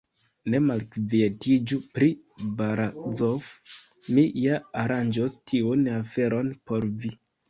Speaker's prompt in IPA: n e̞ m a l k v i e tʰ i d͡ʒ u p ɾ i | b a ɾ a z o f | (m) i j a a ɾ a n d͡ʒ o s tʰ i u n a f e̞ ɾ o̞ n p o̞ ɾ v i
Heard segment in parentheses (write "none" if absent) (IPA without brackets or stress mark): m